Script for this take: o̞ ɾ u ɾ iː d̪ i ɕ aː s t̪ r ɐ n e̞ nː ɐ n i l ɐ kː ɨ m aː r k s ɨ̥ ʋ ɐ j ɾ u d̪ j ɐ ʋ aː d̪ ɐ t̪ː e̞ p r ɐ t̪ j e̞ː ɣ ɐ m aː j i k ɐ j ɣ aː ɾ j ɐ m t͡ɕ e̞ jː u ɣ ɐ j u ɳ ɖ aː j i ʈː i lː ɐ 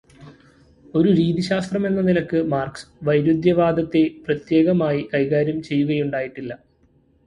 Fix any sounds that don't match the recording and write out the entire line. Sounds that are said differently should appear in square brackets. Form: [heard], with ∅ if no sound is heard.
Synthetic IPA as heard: o̞ ɾ u ɾ iː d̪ i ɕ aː s t̪ r ɐ [m] e̞ nː ɐ n i l ɐ kː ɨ m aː r k s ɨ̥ ʋ ɐ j ɾ u d̪ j ɐ ʋ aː d̪ ɐ t̪ː e̞ p r ɐ t̪ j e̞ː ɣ ɐ m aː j i k ɐ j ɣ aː ɾ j ɐ m t͡ɕ e̞ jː u ɣ ɐ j u ɳ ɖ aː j i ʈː i lː ɐ